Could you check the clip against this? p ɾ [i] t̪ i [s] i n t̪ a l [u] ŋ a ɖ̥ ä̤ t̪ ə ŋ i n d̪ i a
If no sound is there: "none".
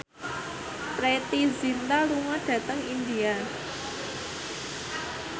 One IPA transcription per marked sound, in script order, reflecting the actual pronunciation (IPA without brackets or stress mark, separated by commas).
e, z, u